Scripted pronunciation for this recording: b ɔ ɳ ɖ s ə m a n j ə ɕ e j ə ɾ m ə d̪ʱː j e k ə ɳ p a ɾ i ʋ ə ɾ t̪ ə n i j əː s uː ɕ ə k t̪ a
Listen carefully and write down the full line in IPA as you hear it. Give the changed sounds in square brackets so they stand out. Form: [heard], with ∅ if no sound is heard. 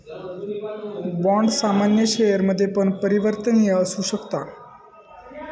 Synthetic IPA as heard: b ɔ ɳ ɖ s [a] m a n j ə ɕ e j ə ɾ m ə d̪ʱː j e [p] ə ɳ p [ə] ɾ i ʋ ə ɾ t̪ ə n i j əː s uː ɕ ə k t̪ a

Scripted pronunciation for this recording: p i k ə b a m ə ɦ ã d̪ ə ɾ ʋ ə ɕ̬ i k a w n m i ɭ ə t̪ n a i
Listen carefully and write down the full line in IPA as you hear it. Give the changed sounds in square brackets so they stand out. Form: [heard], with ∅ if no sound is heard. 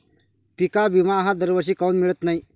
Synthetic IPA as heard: p i k [a] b [i] m [a] ɦ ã d̪ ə ɾ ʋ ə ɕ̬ i k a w n m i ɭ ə t̪ n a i

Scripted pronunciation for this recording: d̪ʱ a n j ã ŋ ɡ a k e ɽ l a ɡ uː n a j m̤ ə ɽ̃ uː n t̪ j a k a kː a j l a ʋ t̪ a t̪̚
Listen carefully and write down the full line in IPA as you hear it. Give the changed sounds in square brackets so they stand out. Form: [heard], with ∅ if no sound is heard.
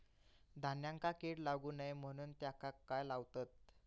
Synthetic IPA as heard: d̪ʱ a n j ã ŋ [k] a k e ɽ l a ɡ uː n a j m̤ ə ɽ̃ uː n t̪ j a k a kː a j l a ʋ t̪ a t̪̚

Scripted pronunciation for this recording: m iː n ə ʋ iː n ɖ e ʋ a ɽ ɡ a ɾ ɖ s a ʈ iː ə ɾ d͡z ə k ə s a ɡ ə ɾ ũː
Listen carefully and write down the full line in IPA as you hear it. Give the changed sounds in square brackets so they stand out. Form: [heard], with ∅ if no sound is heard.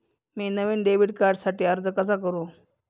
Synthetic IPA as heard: m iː n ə ʋ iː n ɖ e ʋ [i] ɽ [k] a ɾ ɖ s a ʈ iː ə ɾ d͡z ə k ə s a [k] ə ɾ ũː

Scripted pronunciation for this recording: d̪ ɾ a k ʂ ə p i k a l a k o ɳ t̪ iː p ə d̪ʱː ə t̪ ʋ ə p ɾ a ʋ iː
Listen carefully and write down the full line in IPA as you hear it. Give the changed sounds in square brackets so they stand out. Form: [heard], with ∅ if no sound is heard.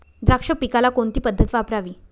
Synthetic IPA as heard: d̪ ɾ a k ʂ ə p i k a l a k o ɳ t̪ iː p ə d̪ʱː ə t̪ ʋ [a] p ɾ a ʋ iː

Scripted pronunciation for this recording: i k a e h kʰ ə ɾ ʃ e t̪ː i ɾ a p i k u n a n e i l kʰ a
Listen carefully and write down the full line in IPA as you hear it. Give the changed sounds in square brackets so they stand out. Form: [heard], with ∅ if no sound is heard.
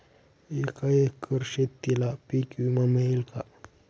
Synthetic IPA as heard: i k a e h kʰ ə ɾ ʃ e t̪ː i [l] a p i k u [m] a [m] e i l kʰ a

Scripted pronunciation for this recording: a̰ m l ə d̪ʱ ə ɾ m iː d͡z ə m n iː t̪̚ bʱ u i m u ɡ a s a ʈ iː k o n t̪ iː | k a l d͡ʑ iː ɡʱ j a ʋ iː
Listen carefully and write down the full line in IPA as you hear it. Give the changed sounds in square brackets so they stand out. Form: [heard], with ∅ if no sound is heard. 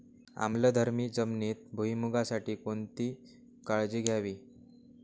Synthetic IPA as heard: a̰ m l ə d̪ʱ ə ɾ m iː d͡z ə m n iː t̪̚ bʱ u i m u ɡ a s a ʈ iː k o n t̪ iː | k a [ɭ] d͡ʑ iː ɡʱ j a ʋ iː

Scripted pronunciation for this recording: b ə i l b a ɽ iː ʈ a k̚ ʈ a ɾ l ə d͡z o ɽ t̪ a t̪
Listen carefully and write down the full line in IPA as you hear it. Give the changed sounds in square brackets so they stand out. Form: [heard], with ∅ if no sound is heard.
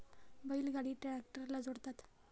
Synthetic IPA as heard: b ə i l [ɡ] a ɽ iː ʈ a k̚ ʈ [ə] ɾ l [a] d͡z o ɽ t̪ a t̪

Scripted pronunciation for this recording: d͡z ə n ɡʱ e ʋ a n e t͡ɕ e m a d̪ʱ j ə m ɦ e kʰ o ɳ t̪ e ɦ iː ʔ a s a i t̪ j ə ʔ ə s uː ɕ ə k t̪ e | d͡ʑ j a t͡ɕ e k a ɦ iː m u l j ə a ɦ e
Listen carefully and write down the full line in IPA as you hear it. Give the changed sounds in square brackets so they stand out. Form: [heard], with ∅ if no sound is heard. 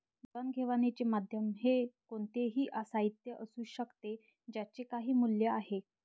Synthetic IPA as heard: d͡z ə n ɡʱ e ʋ a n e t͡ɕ e m a d̪ʱ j ə m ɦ e [k] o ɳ t̪ e ɦ iː ʔ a s a i t̪ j ə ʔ ə s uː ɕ ə k t̪ e | d͡ʑ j a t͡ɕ e k a ɦ iː m u l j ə a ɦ e

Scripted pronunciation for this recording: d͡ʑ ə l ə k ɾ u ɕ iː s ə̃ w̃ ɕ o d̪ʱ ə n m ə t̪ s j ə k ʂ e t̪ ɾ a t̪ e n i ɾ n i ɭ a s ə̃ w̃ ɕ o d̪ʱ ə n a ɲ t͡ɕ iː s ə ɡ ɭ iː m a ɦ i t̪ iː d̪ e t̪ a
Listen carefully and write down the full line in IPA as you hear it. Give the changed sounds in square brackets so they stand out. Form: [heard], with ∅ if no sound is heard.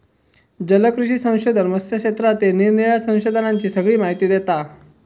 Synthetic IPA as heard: d͡ʑ ə l ə k ɾ u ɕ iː s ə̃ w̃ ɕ o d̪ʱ ə n m ə [∅] s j ə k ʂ e t̪ ɾ a t̪ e n i ɾ n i ɭ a s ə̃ w̃ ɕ o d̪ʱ ə n a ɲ t͡ɕ iː s ə ɡ ɭ iː m a ɦ i t̪ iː d̪ e t̪ a

